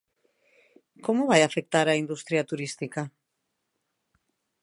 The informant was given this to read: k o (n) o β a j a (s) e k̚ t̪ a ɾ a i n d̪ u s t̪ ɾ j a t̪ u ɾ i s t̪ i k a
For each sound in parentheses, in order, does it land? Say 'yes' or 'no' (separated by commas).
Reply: no, no